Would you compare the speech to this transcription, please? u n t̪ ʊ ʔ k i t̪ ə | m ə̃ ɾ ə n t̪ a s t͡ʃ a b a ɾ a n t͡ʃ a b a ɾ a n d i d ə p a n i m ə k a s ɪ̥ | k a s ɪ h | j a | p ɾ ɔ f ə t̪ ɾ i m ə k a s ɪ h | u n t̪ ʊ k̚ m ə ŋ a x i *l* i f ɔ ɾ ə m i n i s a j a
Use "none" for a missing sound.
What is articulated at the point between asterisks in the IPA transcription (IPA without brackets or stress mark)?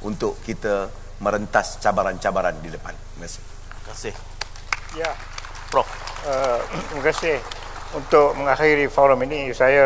ɾ